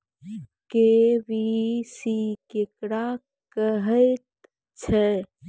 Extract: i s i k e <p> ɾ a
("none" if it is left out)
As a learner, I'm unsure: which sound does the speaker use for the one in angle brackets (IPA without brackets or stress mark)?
k